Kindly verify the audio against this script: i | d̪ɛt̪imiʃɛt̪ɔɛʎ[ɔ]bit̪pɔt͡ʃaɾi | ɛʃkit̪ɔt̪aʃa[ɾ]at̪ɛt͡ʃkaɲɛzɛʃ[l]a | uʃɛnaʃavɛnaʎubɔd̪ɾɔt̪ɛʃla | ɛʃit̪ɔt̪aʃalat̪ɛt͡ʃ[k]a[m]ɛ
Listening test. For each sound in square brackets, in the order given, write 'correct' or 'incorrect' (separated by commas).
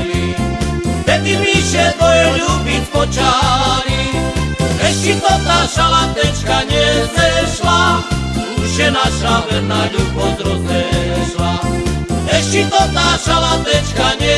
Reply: incorrect, incorrect, correct, correct, incorrect